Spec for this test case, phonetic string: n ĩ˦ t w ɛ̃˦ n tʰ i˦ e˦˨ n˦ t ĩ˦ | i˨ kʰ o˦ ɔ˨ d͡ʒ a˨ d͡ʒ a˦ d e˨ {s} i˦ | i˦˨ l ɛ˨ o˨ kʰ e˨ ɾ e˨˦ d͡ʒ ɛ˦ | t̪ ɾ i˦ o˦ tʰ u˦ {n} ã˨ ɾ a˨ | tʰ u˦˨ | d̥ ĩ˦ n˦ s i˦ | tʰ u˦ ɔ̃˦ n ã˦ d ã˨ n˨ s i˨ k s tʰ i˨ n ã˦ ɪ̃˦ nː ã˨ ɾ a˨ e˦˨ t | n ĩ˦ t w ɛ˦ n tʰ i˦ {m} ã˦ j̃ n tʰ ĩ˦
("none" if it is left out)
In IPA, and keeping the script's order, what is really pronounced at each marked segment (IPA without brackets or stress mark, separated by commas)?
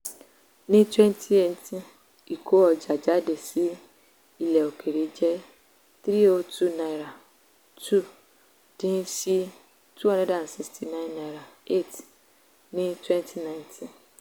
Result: s, n, n